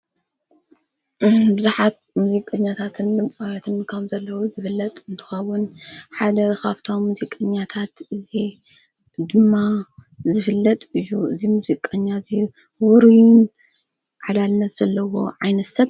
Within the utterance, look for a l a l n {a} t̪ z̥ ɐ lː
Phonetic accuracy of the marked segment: incorrect: ɐ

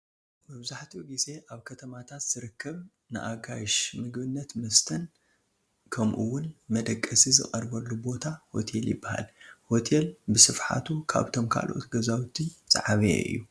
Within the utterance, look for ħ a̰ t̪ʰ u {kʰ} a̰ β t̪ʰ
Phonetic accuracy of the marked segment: correct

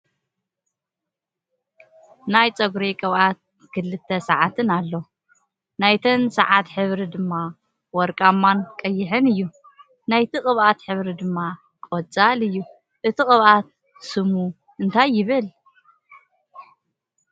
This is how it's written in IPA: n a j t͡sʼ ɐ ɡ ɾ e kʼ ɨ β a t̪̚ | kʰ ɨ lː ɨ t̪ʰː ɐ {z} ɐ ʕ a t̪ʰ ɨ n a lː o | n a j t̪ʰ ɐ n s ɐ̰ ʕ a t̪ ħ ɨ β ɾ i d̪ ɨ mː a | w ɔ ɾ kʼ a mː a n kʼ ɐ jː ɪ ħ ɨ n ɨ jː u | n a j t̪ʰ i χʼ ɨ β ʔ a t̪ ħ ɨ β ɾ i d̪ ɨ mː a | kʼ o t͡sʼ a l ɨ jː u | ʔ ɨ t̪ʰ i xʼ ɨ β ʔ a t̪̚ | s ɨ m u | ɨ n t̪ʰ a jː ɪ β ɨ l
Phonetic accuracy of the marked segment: incorrect: s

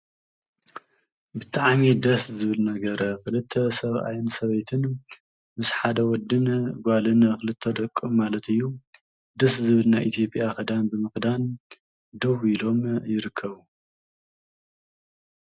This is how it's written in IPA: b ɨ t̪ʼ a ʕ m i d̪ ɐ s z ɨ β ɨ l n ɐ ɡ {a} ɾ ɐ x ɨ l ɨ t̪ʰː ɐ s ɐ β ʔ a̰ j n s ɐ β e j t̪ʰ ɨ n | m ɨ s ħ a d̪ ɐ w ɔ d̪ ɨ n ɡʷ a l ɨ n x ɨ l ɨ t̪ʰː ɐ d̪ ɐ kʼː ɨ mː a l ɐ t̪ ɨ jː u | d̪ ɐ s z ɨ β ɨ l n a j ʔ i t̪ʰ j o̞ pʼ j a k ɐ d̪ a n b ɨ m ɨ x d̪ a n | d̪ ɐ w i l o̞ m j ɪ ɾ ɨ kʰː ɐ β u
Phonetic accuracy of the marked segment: incorrect: ɐ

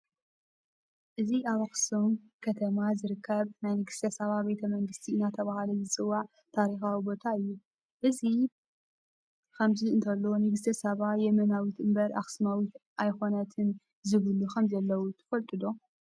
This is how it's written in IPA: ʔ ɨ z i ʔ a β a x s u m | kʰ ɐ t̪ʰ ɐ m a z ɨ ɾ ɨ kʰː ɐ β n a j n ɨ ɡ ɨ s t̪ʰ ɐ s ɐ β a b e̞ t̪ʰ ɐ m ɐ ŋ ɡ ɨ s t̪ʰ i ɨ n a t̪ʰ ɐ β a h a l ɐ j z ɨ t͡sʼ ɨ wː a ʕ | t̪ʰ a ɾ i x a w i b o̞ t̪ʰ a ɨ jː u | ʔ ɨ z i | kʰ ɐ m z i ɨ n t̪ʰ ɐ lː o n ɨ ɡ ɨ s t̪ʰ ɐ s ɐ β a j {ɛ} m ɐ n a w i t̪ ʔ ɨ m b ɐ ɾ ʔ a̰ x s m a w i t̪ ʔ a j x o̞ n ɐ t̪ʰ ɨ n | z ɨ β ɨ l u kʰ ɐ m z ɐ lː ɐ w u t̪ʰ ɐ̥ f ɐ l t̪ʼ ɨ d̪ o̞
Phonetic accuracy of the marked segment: correct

